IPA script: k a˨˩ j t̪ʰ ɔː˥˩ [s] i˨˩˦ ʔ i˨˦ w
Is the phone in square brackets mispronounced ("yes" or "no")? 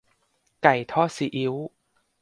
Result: no